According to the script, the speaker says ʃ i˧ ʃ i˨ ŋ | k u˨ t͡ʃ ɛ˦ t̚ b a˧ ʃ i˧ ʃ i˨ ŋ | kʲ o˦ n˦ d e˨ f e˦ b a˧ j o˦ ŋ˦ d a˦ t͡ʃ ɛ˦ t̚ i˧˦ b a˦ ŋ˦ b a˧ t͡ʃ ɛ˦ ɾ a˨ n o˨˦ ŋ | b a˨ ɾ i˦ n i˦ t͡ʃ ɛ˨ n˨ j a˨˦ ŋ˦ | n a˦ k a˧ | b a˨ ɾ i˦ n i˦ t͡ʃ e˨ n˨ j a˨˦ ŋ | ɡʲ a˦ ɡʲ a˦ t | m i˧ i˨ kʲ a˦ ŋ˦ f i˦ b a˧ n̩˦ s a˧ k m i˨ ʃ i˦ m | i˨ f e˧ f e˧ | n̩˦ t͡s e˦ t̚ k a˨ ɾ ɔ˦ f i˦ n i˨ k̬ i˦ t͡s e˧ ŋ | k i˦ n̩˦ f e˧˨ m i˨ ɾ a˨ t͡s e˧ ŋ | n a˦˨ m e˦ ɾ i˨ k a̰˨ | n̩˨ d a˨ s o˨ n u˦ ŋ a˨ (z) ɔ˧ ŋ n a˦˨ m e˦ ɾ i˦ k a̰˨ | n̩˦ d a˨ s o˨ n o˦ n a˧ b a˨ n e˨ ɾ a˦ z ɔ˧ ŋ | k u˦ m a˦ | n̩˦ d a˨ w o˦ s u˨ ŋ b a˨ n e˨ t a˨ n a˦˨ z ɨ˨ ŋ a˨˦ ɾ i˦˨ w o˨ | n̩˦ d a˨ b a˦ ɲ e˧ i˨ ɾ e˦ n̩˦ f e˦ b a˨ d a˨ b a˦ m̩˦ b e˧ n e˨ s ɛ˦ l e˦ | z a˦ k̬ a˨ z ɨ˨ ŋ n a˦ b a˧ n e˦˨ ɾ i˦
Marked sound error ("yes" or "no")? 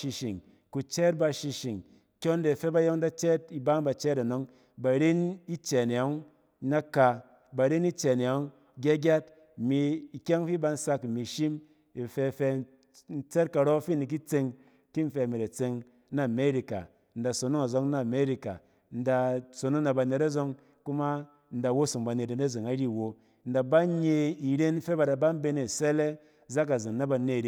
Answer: no